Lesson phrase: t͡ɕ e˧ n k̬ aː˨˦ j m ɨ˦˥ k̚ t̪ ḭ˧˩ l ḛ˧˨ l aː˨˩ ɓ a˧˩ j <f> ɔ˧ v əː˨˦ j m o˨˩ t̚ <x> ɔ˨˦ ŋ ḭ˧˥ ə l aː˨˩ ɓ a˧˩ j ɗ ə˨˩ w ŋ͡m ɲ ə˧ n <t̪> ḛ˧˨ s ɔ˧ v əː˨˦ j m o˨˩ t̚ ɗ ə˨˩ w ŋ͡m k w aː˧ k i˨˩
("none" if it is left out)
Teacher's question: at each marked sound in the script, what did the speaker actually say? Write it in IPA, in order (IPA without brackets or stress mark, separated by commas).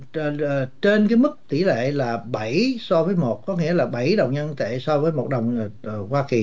s, k, t̪